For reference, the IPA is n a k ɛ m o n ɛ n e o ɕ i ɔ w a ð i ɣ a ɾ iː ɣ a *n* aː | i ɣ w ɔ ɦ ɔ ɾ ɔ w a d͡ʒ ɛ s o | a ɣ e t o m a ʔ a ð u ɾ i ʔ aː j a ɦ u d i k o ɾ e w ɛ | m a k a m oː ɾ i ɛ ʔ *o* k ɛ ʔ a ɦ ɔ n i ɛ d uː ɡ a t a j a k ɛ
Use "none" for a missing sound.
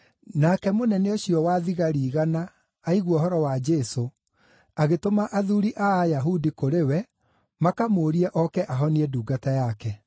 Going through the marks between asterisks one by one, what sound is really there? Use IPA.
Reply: n, ɔ

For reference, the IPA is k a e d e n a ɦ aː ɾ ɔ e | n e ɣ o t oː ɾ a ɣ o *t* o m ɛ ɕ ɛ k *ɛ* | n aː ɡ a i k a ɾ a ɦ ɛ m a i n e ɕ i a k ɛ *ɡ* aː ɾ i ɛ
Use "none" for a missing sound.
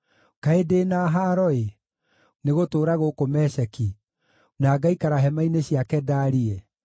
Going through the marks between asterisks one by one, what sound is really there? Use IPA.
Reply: k, i, d

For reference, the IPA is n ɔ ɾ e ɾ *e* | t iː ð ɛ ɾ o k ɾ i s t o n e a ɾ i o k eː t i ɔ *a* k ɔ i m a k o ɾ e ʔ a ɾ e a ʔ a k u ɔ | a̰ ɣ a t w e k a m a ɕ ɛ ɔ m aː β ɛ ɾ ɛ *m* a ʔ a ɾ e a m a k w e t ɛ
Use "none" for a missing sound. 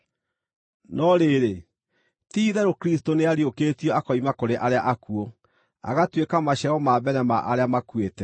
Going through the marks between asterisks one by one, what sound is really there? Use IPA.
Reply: e, a, m

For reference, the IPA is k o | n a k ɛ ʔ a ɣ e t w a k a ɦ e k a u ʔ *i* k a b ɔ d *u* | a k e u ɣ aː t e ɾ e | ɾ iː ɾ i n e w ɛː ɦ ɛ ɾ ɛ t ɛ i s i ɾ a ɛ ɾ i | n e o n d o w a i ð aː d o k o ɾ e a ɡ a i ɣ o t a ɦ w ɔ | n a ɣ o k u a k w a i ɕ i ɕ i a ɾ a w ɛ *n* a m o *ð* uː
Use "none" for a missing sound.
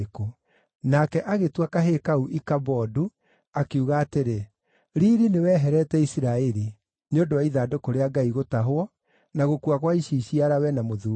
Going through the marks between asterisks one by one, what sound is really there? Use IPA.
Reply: i, u, n, ð

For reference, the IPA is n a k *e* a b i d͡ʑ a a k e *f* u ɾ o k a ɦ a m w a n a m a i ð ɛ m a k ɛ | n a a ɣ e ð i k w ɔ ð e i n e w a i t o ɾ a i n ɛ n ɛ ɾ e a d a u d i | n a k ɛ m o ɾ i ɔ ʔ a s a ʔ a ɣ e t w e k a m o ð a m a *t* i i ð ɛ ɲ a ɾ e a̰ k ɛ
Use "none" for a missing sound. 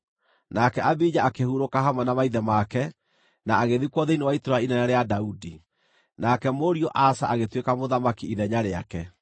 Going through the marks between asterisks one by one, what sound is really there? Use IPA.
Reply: ɛ, h, k

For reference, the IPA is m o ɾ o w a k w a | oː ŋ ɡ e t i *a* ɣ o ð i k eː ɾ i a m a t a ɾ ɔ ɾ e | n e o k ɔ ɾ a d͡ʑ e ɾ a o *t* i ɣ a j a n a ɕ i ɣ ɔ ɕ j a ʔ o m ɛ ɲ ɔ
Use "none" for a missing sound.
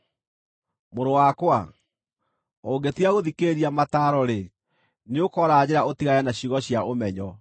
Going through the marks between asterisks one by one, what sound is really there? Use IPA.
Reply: a, t

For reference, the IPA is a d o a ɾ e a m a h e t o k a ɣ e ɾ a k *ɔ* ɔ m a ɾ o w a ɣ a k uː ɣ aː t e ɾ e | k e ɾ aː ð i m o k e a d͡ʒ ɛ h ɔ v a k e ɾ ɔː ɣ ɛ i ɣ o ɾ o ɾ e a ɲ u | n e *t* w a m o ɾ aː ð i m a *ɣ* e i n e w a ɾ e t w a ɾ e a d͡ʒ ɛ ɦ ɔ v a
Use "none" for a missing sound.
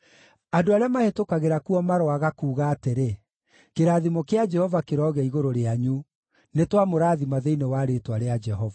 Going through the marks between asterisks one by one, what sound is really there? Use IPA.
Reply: u, t, ð

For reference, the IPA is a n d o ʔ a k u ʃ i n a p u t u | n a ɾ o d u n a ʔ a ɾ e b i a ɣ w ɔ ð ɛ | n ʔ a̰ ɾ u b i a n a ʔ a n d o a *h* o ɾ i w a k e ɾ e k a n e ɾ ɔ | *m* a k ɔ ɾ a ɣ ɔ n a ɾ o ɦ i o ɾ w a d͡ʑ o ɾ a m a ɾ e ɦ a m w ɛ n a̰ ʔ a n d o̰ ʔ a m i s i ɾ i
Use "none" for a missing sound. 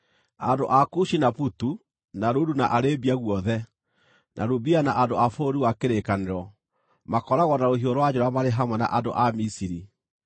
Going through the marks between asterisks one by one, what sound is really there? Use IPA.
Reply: f, m

